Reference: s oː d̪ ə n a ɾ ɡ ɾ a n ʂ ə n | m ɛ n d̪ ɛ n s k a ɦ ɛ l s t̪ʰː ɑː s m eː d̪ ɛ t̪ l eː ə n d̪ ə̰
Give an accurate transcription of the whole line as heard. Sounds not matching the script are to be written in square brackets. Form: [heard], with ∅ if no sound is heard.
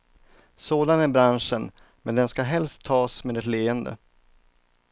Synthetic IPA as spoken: s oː d̪ [a] n [æ] ɾ [b] ɾ a n ʂ ə n | m ɛ n d̪ ɛ n s k a ɦ ɛ l s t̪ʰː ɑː s m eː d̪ ɛ t̪ l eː ə n d̪ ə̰